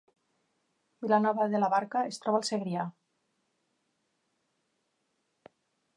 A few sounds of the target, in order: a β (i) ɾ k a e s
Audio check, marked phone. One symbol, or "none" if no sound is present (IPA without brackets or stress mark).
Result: a